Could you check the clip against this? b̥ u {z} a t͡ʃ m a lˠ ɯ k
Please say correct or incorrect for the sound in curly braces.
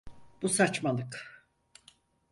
incorrect